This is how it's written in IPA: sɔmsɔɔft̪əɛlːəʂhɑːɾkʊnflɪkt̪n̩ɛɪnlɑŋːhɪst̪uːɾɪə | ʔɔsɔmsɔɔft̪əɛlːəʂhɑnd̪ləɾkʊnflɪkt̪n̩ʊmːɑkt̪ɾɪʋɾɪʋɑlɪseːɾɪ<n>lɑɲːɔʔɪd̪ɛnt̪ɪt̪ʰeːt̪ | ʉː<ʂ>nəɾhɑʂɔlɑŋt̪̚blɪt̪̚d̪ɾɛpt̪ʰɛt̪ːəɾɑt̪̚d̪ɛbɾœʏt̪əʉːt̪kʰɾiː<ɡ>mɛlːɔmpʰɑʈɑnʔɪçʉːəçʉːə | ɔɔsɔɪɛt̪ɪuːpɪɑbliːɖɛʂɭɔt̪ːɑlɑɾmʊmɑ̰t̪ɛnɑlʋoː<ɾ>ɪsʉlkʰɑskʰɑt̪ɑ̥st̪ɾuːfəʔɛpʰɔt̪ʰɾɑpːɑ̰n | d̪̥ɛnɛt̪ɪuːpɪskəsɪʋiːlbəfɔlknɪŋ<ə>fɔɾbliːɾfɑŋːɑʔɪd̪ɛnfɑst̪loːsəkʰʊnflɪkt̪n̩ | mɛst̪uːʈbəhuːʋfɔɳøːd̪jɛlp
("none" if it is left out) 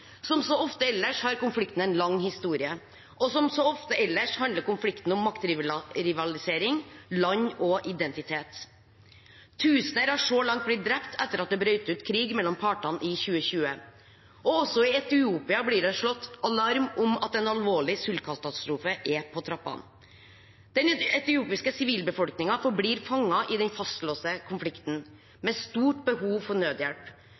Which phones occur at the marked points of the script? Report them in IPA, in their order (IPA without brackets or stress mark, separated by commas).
ŋ, s, ɡ, ɭ, ɑ